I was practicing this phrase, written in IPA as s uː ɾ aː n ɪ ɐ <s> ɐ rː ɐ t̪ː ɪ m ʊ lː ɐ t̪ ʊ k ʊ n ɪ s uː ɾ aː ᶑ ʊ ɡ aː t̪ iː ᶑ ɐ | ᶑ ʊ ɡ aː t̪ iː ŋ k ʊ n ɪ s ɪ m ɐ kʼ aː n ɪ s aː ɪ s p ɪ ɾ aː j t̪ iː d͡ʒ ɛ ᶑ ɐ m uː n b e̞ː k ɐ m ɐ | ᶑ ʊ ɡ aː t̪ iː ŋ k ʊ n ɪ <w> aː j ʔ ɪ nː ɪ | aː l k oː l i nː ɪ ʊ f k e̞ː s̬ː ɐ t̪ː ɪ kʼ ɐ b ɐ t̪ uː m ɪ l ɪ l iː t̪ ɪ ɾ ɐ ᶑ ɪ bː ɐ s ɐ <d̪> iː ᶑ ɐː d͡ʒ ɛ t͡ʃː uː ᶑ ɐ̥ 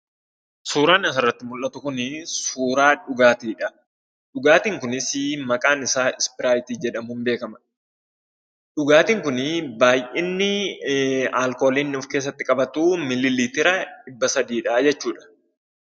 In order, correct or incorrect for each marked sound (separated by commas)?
correct, incorrect, correct